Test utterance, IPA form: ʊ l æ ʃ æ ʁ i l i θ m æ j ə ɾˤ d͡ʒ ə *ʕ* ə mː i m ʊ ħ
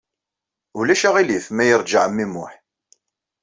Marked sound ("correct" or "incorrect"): correct